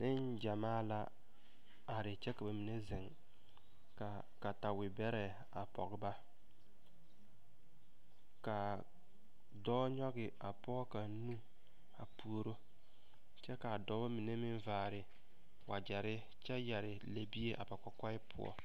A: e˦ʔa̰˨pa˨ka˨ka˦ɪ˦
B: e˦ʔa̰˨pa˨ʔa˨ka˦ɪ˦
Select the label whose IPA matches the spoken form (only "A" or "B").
A